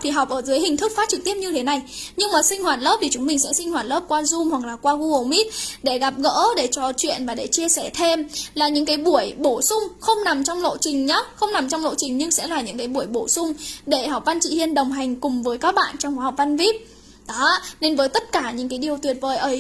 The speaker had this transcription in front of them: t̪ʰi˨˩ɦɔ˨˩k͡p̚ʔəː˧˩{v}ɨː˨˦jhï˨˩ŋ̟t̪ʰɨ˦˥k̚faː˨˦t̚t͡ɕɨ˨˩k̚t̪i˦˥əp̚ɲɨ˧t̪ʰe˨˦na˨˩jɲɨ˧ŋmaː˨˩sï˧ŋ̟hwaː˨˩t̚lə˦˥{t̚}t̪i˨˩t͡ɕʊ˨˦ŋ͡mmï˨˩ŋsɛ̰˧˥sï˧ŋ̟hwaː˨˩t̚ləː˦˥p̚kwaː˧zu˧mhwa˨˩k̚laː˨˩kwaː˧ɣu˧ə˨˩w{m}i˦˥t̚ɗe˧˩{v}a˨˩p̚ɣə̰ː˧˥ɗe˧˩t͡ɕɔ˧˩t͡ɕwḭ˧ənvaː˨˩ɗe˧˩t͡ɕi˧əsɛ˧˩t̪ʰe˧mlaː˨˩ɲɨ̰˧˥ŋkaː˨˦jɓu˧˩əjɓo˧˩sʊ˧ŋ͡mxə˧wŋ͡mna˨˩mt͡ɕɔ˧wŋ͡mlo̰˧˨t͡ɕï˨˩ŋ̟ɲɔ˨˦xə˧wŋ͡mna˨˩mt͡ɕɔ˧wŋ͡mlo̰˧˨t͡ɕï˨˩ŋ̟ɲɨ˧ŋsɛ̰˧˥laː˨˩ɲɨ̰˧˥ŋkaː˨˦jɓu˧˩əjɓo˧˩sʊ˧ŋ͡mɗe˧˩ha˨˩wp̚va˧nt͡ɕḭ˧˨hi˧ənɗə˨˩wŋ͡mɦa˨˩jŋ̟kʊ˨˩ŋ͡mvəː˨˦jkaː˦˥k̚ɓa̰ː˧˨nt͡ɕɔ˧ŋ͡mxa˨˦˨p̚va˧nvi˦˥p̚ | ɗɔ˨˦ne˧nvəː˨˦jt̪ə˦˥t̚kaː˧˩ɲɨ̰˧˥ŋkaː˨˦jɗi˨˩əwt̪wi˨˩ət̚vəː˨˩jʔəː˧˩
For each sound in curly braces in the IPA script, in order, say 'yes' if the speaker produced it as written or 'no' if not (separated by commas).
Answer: no, no, yes, no